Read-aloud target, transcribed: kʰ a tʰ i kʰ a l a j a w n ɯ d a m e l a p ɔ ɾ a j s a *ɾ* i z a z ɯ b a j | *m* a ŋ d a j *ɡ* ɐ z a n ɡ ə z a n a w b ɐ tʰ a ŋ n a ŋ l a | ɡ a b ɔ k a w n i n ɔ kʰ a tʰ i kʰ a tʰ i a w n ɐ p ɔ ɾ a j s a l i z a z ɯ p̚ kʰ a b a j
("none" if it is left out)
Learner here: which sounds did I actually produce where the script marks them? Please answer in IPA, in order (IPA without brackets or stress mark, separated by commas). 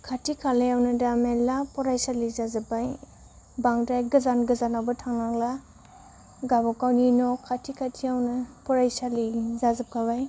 l, b, ɡ